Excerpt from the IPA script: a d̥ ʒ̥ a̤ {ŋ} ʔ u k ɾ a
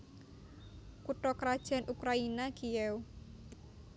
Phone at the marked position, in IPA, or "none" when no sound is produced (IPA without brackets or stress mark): n